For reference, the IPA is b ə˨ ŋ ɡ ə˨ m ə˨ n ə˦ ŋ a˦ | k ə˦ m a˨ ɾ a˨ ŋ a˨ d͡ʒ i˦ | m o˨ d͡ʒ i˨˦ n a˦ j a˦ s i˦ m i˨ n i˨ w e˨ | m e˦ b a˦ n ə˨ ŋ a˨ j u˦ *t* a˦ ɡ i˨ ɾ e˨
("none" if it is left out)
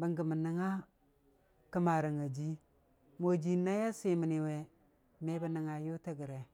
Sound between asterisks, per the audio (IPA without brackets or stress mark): t